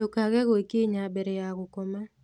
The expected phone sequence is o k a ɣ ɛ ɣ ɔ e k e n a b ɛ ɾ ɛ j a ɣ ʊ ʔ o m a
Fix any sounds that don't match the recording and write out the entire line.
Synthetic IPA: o k a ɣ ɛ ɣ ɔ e k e ɲ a b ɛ ɾ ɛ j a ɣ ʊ k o m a